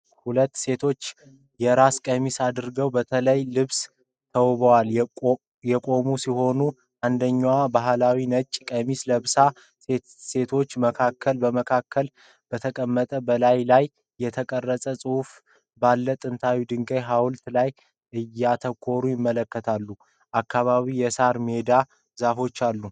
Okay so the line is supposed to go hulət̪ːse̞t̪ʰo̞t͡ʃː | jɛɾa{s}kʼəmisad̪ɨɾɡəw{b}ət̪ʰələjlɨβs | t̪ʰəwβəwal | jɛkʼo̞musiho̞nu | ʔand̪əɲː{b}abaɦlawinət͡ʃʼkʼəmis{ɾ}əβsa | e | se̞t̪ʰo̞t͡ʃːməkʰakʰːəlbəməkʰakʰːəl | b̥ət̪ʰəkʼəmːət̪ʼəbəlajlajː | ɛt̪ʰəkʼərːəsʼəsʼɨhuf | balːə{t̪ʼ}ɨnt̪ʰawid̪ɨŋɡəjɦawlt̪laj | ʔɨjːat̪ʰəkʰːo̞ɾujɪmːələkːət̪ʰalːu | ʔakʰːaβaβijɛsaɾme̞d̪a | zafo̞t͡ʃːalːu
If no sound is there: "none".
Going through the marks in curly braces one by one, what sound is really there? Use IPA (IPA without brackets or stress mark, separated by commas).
s, b, w, l, t̪ʼ